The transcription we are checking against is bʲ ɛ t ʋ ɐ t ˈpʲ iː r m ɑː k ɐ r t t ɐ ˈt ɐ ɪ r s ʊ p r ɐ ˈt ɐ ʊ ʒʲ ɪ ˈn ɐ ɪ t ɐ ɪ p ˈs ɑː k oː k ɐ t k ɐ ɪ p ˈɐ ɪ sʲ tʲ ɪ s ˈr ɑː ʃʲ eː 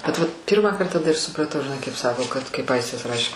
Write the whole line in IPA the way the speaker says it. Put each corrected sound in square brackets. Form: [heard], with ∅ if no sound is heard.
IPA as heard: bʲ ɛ t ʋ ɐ t ˈpʲ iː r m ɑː k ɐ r t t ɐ [ˈd] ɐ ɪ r s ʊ p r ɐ ˈt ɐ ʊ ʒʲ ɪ ˈn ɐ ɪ [k] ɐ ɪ p ˈs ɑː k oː k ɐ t k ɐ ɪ p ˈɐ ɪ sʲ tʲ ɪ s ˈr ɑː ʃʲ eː